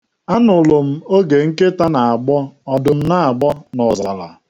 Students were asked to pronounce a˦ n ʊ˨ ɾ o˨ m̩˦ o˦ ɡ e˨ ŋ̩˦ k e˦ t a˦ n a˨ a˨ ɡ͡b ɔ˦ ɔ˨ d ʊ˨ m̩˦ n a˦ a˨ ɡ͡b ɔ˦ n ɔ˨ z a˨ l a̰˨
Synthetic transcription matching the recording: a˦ n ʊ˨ l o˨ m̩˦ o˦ ɡ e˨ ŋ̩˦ k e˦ t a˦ n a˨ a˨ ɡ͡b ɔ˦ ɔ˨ d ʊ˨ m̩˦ n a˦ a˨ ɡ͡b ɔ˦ n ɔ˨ z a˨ l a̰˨